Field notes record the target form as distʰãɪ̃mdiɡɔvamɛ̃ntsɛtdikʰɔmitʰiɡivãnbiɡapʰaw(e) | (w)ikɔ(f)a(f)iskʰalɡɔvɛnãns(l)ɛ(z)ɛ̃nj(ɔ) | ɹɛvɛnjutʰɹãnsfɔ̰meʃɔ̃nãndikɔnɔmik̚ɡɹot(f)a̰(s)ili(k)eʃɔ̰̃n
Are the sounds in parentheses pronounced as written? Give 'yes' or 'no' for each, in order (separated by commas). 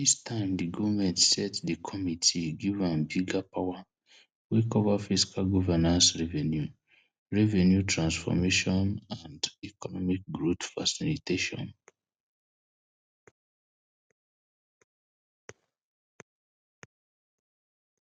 no, yes, no, yes, no, no, no, yes, yes, no